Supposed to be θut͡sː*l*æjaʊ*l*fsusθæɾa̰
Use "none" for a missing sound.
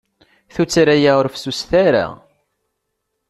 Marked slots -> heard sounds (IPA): ɾ, ɾ

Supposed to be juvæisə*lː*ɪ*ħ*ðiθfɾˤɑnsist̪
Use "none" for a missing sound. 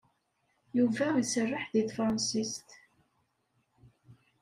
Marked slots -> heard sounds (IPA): rː, ħ

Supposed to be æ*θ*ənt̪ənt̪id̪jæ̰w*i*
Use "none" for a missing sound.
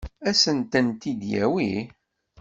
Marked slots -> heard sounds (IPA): s, i

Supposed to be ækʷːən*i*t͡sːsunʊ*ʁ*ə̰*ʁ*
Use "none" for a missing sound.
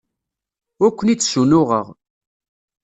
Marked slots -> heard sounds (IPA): i, ʁ, ʁ

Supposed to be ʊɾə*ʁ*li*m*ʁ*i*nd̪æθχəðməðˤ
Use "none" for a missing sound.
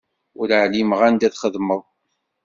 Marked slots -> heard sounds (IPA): ʕ, m, æ

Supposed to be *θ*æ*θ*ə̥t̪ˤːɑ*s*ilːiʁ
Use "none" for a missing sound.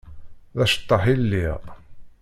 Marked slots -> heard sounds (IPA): ð, ʃ, ħ

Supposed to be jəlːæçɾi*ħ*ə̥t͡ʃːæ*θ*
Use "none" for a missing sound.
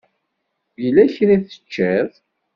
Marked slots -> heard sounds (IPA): θ, ð

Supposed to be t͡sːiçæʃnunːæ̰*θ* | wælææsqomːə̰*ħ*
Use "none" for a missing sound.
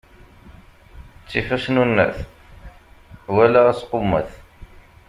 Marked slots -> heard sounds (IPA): θ, θ

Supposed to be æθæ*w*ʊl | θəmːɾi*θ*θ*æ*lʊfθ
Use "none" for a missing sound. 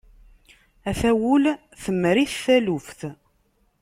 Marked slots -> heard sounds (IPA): w, θ, æ

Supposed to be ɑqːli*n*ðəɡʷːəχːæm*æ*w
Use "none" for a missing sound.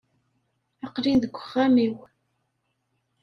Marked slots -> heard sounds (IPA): n, i

